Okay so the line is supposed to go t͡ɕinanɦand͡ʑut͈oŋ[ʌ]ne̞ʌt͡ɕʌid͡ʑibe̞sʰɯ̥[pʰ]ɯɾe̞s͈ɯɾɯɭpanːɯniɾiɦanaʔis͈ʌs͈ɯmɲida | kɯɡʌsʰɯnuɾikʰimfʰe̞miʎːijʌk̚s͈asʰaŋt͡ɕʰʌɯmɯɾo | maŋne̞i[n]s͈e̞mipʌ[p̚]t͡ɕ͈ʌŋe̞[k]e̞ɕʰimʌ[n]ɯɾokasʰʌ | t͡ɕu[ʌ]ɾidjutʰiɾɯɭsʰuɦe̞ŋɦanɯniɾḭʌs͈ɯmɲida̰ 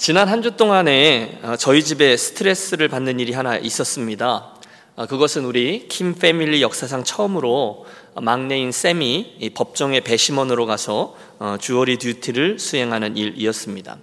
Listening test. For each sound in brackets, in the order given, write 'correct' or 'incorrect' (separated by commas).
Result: incorrect, incorrect, correct, correct, incorrect, correct, correct